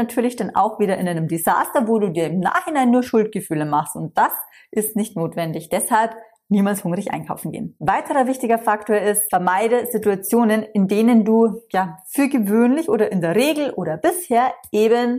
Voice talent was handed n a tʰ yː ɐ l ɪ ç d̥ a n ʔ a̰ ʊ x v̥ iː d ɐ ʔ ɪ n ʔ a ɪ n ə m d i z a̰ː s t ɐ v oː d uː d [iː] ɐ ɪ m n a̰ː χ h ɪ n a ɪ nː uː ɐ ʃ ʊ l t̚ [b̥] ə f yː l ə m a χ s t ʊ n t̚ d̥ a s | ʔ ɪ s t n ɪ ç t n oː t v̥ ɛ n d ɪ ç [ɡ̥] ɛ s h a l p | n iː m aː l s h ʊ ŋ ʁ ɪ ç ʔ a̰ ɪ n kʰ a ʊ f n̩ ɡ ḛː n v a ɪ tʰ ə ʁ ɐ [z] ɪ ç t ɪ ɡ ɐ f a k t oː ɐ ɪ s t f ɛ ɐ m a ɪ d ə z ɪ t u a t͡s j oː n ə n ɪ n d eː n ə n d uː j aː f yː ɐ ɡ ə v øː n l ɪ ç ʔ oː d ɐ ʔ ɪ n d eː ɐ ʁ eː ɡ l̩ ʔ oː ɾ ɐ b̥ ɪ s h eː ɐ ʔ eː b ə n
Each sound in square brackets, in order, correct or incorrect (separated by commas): correct, incorrect, incorrect, incorrect